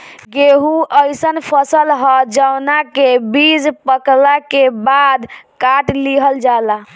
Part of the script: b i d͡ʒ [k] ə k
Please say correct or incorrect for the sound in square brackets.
incorrect: p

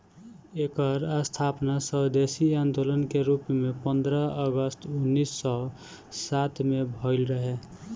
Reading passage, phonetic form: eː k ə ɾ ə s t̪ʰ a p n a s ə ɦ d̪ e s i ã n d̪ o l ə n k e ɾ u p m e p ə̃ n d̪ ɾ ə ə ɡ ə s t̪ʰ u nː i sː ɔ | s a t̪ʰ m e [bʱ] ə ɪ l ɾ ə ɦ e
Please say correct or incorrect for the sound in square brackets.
correct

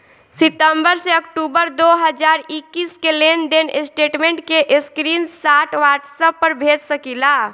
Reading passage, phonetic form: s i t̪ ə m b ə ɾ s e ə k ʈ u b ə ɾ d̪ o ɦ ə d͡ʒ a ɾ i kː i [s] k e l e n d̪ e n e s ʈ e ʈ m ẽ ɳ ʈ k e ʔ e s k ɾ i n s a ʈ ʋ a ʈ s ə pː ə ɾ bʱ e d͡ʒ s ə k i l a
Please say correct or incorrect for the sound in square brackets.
correct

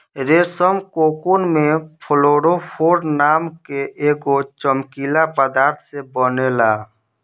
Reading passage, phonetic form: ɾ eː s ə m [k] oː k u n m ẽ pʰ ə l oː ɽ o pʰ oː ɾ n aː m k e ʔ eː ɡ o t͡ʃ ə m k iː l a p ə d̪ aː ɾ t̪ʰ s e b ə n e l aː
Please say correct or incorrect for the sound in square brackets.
correct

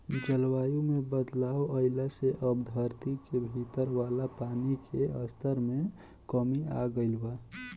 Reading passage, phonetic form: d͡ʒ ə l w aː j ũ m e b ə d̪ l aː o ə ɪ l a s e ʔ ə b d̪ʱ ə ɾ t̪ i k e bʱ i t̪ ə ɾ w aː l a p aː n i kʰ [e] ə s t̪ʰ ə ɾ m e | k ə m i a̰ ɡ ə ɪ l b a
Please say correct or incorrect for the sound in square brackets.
correct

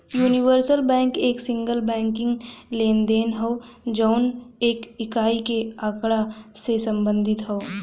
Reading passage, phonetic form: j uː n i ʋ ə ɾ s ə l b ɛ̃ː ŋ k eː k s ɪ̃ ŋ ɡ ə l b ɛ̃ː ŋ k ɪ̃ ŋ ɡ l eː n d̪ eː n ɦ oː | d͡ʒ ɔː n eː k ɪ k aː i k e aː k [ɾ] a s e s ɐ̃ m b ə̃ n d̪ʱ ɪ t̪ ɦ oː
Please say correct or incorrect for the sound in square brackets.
incorrect: ɽ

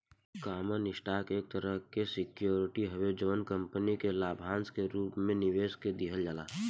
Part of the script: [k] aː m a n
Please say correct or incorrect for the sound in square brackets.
correct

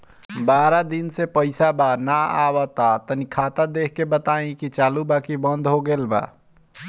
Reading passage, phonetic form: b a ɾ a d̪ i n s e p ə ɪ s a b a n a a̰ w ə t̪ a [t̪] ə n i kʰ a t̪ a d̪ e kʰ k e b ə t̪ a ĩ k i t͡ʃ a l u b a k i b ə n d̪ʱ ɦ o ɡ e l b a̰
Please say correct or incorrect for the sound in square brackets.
correct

